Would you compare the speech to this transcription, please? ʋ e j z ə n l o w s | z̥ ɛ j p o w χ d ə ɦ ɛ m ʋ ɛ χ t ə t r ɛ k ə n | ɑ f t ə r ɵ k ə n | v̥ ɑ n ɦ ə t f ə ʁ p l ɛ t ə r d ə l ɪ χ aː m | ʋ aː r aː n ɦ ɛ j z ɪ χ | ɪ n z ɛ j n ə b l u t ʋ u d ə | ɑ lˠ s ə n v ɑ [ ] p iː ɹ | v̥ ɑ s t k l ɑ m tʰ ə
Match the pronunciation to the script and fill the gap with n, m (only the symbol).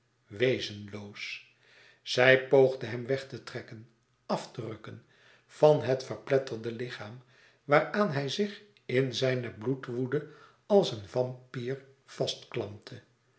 m